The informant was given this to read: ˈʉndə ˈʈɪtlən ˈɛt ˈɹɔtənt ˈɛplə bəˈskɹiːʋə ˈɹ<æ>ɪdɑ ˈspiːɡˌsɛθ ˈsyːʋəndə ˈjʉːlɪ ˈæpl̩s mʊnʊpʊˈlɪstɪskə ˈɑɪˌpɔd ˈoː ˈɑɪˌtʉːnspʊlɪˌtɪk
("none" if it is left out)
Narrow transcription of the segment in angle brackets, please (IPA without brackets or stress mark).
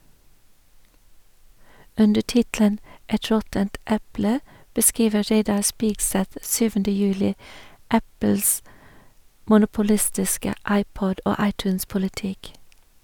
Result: e